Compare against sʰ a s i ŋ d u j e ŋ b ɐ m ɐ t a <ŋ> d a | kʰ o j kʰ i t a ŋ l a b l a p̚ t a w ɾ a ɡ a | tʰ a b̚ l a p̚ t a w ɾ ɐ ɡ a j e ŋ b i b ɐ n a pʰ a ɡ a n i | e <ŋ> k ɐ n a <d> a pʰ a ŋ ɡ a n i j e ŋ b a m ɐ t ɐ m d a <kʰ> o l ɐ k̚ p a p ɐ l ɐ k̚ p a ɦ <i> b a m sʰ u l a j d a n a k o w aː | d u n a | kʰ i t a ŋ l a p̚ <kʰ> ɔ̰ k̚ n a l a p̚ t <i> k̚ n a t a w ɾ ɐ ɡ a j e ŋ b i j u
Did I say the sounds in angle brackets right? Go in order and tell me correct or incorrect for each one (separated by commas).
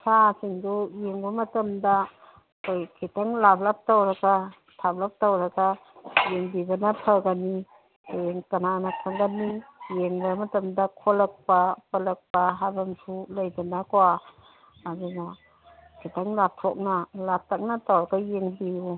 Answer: incorrect, correct, incorrect, correct, incorrect, incorrect, incorrect